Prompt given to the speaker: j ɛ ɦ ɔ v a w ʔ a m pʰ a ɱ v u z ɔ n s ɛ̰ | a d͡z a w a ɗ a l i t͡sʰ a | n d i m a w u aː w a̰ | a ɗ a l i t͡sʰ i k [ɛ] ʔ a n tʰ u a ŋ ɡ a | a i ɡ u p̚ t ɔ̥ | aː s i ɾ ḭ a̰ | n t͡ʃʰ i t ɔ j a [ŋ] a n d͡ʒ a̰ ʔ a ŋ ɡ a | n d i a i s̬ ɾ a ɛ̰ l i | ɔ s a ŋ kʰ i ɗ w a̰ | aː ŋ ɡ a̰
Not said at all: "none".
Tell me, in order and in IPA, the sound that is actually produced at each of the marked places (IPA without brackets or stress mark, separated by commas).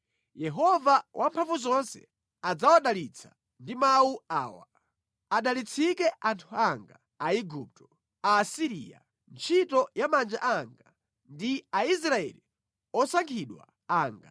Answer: ɛ, m